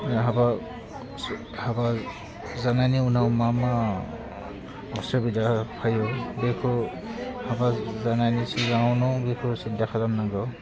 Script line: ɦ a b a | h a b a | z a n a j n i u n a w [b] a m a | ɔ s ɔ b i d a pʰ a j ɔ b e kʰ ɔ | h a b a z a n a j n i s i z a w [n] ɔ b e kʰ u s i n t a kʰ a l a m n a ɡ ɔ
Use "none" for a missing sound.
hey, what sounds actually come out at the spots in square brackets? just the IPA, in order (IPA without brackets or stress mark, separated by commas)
m, n